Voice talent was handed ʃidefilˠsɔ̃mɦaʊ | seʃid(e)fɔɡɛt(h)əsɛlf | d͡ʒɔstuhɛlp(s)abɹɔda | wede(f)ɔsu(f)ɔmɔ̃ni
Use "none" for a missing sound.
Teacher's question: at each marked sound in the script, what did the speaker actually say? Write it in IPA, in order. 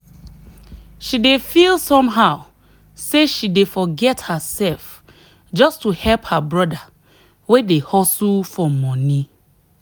e, h, h, h, f

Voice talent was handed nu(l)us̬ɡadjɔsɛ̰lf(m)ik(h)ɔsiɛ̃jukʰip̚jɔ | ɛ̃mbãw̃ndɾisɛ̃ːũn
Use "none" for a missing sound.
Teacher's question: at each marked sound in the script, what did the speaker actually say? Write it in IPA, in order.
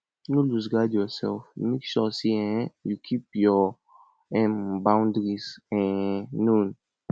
l, m, ʃ

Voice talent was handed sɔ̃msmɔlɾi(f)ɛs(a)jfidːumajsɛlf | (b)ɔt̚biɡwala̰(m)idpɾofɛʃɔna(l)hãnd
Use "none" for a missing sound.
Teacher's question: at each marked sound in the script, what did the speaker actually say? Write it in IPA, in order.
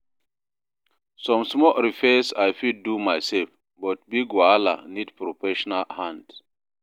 f, a, b, n, l

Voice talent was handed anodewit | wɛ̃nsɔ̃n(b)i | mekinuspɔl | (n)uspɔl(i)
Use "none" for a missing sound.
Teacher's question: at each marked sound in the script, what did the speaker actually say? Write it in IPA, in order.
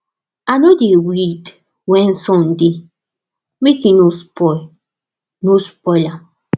d, n, a

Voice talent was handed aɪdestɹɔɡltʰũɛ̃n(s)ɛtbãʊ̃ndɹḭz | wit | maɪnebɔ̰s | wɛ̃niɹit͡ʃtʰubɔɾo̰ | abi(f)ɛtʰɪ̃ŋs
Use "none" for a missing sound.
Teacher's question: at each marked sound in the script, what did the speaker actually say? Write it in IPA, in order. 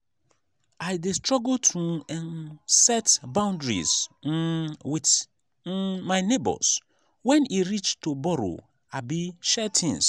s, ʃ

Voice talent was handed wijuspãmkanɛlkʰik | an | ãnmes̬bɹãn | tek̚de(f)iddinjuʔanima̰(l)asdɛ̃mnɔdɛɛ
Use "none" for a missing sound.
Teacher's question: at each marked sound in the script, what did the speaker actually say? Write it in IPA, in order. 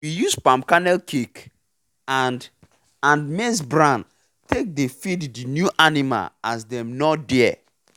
f, l

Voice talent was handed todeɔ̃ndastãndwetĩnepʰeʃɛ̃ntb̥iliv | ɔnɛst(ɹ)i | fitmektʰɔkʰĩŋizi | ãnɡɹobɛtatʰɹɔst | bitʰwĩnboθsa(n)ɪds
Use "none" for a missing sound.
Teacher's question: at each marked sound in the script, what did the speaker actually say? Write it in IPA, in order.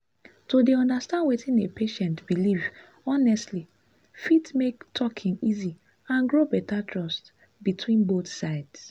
l, none

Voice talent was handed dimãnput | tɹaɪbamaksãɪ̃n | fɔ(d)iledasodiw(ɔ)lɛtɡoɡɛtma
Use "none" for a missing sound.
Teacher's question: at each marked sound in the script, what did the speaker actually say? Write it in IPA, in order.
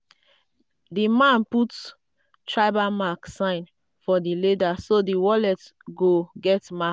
d, ɔ

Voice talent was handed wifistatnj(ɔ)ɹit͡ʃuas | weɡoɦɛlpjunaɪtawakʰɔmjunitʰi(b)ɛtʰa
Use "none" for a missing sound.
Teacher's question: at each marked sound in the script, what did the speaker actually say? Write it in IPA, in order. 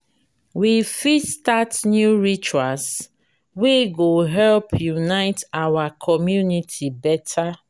u, b

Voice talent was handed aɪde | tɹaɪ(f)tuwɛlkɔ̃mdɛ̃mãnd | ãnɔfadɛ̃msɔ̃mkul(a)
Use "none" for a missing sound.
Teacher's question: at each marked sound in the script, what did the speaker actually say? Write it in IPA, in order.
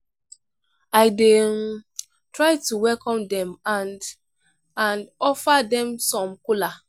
none, a

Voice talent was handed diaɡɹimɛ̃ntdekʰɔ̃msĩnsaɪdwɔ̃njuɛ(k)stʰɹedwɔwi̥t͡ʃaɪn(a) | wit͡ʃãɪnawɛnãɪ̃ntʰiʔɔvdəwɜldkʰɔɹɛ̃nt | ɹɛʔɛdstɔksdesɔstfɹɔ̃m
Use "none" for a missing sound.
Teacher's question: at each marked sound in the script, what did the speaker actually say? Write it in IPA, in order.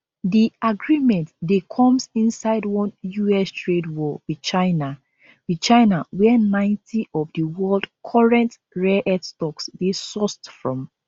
none, a

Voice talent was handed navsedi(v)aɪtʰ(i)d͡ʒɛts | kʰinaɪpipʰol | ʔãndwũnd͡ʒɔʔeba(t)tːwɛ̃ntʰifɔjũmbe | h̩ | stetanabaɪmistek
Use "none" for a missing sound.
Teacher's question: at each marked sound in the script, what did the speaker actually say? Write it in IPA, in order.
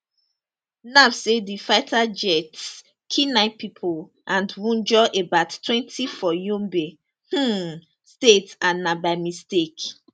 f, a, t

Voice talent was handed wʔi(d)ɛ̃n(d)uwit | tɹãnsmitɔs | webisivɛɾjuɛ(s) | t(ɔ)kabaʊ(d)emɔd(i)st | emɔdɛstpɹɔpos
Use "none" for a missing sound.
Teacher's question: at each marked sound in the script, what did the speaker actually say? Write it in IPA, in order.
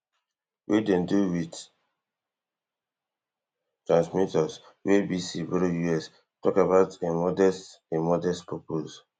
d, d, s, ɔ, t, ɛ

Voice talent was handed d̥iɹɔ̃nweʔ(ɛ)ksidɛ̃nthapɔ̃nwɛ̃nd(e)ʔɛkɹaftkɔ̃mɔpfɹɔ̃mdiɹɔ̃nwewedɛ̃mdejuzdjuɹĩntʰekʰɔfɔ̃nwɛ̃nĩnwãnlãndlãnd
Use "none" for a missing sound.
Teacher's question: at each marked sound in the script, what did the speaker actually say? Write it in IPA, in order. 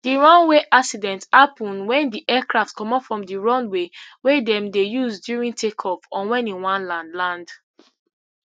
a, i

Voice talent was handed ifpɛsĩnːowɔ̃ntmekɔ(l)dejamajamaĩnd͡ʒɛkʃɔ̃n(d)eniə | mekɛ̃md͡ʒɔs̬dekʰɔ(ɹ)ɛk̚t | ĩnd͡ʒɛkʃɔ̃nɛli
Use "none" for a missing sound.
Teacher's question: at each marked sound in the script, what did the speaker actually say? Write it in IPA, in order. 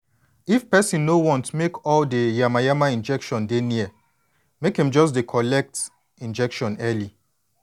l, d, l

